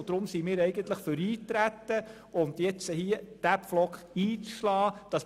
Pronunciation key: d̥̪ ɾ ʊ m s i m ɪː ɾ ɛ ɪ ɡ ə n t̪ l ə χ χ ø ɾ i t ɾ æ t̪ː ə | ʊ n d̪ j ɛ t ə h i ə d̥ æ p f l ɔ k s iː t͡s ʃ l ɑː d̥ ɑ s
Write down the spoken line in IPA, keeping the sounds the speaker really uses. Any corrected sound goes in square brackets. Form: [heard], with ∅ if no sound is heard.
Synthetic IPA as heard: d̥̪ ɾ ʊ m s i m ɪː ɾ ɛ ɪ ɡ ə n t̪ l ə χ [f] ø ɾ [iː] t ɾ æ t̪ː ə | ʊ n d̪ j ɛ [t͡s] ə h i ə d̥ æ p f l ɔ k [χ] iː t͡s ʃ l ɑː d̥ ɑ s